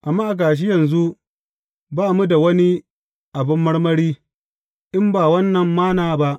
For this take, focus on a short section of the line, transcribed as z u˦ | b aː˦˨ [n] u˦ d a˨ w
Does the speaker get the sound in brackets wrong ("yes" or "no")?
yes